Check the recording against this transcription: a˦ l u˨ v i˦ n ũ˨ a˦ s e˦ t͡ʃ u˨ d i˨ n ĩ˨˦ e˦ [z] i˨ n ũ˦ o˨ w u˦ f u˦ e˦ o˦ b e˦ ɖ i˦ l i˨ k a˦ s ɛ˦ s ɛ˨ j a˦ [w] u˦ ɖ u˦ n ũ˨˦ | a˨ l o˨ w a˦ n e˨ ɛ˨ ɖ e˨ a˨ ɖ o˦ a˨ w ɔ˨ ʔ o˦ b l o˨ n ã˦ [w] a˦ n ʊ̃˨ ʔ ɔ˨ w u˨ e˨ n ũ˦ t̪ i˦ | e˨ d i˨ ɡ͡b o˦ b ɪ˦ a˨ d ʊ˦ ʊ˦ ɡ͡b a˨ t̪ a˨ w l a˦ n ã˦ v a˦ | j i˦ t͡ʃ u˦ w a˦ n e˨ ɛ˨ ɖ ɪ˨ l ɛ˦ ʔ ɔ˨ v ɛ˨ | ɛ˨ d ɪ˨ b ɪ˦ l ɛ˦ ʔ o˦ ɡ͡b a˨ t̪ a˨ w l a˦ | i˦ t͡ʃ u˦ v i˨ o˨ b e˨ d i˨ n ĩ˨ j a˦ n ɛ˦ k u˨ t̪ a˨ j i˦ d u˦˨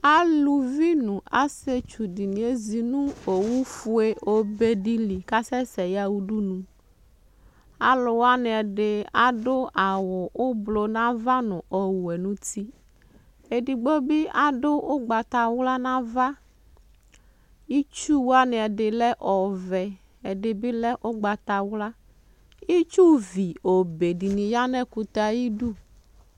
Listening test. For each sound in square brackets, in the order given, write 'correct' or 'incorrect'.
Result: correct, correct, incorrect: v

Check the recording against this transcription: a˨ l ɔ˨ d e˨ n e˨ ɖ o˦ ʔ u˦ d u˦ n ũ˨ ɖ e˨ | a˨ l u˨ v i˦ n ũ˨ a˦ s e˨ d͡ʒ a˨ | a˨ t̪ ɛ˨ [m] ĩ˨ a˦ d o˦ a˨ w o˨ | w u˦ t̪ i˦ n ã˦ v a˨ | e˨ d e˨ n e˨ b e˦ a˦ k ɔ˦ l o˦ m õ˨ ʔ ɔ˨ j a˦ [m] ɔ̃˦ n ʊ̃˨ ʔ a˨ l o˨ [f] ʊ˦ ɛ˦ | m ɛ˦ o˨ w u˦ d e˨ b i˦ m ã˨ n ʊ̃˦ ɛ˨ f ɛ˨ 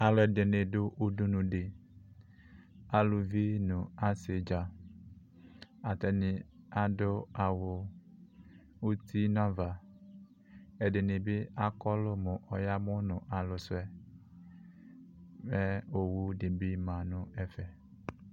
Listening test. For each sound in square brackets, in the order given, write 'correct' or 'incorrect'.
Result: incorrect: n, correct, incorrect: s

